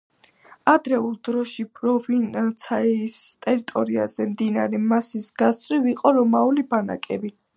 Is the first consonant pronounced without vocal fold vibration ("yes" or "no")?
no